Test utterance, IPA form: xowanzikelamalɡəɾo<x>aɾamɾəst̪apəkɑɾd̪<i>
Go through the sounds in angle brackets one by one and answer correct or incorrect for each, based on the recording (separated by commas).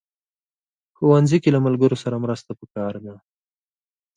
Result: incorrect, incorrect